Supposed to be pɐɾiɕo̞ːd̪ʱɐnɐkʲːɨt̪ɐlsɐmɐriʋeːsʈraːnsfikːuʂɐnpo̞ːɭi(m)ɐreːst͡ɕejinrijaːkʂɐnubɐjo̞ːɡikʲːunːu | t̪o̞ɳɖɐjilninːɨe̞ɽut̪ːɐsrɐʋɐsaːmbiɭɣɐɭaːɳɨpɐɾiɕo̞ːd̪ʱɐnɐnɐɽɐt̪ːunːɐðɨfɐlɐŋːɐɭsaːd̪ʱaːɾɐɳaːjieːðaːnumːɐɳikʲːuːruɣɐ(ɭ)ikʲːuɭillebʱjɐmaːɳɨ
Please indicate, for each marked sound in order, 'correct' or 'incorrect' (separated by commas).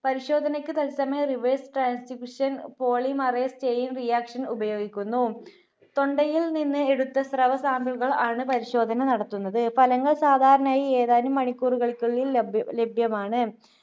correct, correct